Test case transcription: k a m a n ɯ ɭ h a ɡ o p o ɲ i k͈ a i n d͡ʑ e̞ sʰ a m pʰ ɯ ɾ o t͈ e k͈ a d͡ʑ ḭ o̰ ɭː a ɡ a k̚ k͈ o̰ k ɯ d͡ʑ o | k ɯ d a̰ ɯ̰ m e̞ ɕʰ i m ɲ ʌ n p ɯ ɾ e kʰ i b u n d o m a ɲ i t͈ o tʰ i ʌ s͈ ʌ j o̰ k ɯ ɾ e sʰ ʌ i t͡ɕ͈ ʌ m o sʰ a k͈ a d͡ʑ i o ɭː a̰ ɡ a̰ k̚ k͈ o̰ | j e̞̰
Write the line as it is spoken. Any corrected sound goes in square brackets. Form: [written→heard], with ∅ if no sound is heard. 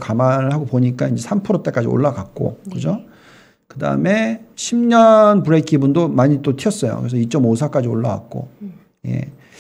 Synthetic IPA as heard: k a m a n ɯ ɭ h a ɡ o p o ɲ i k͈ a i n d͡ʑ e̞ sʰ a m pʰ ɯ ɾ o t͈ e k͈ a d͡ʑ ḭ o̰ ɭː a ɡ a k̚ k͈ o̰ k ɯ d͡ʑ o | k ɯ d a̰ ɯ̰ m e̞ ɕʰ i m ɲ ʌ n p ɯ ɾ e kʰ i b u n d o m a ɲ i t͈ o tʰ i ʌ s͈ ʌ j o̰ k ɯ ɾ e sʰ ʌ i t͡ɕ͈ ʌ m o sʰ a k͈ a d͡ʑ i o ɭː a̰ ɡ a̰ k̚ k͈ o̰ | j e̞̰